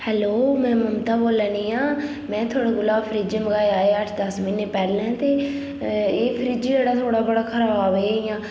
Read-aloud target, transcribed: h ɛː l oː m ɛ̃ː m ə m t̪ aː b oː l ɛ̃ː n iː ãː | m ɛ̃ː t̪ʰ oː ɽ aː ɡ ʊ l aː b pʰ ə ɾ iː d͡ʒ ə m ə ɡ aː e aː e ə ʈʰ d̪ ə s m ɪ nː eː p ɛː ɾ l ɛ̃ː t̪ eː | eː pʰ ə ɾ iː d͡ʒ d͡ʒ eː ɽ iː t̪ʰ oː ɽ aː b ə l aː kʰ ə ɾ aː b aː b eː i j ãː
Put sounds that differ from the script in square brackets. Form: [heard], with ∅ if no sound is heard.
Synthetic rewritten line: h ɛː l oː m ɛ̃ː m ə m t̪ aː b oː l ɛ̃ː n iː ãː | m ɛ̃ː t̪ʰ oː ɽ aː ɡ ʊ l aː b pʰ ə ɾ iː d͡ʒ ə m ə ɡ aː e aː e ə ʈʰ d̪ ə s m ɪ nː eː p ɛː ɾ l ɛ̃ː t̪ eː | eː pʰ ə ɾ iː d͡ʒ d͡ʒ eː ɽ [aː] t̪ʰ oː ɽ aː b ə [ɽ] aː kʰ ə ɾ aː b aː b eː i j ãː